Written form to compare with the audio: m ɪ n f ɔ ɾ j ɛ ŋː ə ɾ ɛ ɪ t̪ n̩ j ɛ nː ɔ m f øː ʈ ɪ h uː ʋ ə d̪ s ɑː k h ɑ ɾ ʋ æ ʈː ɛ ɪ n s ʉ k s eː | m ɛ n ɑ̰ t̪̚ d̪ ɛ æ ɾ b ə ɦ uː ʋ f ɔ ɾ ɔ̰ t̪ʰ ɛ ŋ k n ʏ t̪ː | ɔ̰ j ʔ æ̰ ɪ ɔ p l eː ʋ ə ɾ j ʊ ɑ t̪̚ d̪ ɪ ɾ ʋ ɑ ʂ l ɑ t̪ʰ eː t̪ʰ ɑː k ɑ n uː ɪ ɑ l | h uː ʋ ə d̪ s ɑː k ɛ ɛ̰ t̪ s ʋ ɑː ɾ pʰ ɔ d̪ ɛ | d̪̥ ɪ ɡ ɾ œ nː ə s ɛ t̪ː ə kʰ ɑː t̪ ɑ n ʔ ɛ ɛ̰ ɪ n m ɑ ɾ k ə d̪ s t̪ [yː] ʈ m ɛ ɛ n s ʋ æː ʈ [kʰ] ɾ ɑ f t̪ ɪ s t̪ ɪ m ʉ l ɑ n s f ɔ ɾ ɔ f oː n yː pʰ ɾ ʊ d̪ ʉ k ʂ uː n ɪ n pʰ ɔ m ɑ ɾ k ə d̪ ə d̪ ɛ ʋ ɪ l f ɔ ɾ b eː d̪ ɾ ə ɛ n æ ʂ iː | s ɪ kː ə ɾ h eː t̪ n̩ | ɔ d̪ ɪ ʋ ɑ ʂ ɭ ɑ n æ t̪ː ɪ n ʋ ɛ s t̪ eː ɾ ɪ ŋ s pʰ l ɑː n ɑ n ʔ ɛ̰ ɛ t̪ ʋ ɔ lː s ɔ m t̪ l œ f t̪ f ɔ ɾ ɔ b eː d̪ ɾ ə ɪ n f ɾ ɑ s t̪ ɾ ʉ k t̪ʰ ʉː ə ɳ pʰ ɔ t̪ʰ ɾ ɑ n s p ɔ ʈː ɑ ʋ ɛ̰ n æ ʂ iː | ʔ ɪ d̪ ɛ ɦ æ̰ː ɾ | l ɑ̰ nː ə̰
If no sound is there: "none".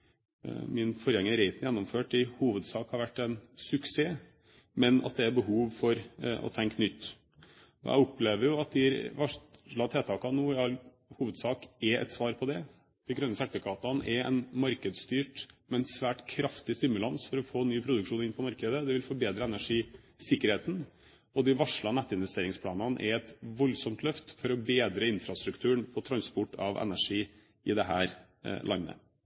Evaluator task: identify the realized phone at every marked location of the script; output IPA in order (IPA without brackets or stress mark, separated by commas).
yː, kʰ